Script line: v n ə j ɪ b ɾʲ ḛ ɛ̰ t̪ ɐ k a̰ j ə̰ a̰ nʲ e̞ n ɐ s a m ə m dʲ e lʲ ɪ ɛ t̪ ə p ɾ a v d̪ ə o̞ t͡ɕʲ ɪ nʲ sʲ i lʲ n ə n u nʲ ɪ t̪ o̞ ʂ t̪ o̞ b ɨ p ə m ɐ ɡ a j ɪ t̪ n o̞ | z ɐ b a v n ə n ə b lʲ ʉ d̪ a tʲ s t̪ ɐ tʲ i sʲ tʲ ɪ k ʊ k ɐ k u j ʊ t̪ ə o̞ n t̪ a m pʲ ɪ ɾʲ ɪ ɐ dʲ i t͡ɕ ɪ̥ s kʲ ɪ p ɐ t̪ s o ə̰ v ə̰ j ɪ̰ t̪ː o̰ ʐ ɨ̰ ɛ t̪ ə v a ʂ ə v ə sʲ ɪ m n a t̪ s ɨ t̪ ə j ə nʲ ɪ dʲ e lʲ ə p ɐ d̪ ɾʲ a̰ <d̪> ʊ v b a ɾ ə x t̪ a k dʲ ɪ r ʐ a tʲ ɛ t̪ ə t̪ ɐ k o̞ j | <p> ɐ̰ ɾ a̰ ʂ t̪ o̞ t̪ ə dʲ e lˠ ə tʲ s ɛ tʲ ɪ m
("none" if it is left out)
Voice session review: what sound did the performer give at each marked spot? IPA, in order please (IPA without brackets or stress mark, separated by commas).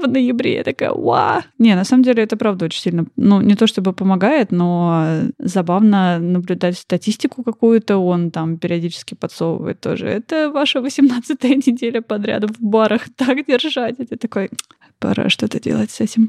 d̪, p